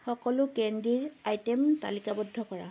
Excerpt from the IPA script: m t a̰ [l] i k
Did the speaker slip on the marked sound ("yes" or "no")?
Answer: no